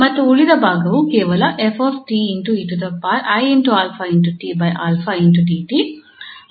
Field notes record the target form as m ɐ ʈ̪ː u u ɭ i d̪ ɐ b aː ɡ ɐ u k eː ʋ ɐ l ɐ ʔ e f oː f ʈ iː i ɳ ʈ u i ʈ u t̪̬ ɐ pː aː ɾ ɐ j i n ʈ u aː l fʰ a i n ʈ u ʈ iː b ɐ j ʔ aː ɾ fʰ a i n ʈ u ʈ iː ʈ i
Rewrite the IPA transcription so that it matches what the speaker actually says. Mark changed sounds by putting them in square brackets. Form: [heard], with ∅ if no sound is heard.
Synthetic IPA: m ɐ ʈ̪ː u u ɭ i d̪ ɐ b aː ɡ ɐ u k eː ʋ ɐ l ɐ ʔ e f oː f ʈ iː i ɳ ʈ u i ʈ u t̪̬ ɐ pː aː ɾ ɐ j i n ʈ u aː l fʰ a i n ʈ u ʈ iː b ɐ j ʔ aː [l] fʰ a i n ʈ u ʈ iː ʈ i